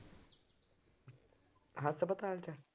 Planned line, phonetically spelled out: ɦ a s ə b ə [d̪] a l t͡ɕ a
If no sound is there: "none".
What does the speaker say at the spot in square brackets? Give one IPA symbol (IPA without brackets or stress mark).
t̪